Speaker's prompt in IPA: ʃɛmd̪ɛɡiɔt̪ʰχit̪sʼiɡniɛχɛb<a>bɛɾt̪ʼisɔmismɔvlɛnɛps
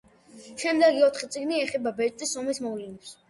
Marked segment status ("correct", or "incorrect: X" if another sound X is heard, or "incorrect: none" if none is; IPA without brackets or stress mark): correct